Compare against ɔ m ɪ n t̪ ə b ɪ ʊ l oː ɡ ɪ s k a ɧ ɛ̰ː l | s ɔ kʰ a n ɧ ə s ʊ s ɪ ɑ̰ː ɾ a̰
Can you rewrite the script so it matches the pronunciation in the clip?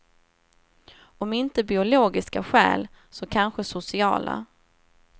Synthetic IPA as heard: ɔ m ɪ n t̪ ə b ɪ ʊ l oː ɡ ɪ s k a ɧ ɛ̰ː l | s ɔ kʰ a n ɧ ə s ʊ s ɪ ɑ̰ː l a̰

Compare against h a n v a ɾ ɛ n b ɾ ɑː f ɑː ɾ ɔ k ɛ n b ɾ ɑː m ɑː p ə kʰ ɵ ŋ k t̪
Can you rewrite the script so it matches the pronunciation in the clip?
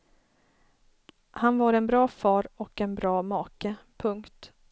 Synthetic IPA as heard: h a n v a ɾ ɛ n b ɾ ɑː f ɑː ɾ ɔ k ɛ n b ɾ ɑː m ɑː k ə pʰ ɵ ŋ k t̪

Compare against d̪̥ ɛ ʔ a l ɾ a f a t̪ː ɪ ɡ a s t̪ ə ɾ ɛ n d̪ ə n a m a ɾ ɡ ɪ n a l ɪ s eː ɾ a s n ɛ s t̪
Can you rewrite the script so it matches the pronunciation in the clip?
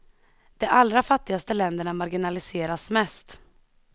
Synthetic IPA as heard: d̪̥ ɛ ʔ a l ɾ a f a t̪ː ɪ ɡ a s t̪ ə l ɛ n d̪ ə ɳ a m a ɾ ɡ ɪ n a l ɪ s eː ɾ a s m ɛ s t̪

